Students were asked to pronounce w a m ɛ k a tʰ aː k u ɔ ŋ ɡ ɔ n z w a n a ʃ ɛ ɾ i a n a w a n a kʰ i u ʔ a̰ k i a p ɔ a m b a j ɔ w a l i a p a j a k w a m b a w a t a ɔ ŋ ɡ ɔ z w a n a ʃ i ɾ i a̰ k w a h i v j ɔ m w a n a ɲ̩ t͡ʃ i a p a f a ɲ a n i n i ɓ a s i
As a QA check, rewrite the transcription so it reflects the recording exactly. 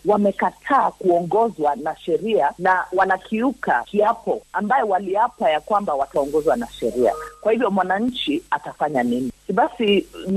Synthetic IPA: w a m ɛ k a tʰ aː k u ɔ ŋ ɡ ɔ z w a n a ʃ ɛ ɾ i a n a w a n a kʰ i u k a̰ k i a p ɔ a m b a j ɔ w a l i a p a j a k w a m b a w a t a ɔ ŋ ɡ ɔ z w a n a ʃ ɛ ɾ i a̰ k w a h i v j ɔ m w a n a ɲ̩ t͡ʃ i a t a f a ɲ a n i n i ɓ a s i